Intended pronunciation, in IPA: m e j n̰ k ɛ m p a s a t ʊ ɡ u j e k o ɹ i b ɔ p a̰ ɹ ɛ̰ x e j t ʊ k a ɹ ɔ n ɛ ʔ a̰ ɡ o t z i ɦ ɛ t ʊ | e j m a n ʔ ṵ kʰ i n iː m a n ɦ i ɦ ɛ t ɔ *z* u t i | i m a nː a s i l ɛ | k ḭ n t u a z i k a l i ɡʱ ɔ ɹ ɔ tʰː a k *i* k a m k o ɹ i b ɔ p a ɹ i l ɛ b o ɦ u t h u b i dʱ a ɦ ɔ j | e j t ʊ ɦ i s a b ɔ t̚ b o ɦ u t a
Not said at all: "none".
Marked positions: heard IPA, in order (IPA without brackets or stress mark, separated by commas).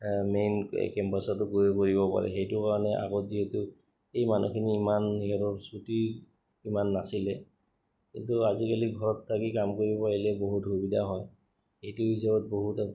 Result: s, i